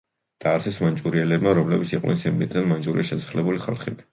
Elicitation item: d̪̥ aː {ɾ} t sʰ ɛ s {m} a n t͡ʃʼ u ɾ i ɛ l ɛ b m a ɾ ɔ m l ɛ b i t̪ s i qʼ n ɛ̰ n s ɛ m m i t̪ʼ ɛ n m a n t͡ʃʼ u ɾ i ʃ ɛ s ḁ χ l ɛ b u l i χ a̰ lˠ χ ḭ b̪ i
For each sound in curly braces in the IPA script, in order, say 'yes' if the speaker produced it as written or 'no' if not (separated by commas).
yes, yes